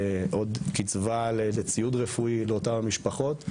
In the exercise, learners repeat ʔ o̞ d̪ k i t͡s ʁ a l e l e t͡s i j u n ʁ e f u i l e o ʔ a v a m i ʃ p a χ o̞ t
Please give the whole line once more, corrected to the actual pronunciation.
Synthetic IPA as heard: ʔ o̞ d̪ k i t͡s v a l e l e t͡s i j u d ʁ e f u i l e o t a v a m i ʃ p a χ o̞ t